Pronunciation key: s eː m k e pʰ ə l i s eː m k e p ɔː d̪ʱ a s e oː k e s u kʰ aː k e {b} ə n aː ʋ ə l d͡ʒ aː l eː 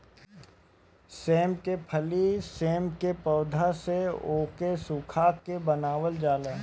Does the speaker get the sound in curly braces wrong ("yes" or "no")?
no